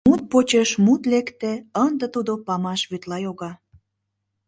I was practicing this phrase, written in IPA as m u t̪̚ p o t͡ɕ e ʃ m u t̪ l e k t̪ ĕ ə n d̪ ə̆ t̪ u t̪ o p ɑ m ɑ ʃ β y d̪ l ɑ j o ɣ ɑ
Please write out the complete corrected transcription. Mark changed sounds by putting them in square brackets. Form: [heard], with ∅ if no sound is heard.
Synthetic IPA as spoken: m u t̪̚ p o t͡ɕ e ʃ m u t̪ l e k t̪ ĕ ə n d̪ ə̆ t̪ u [d̪] o p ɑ m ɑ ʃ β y [t̪] l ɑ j o ɣ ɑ